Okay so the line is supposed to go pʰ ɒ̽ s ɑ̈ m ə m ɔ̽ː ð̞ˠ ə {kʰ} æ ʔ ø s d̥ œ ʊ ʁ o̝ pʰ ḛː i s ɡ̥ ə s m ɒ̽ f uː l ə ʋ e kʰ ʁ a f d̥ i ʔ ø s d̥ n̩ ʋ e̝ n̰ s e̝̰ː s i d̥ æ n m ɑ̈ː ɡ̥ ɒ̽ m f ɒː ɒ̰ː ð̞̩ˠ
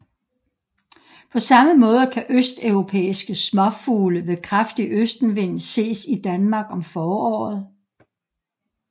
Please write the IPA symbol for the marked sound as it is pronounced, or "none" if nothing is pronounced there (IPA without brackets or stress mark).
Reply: kʰ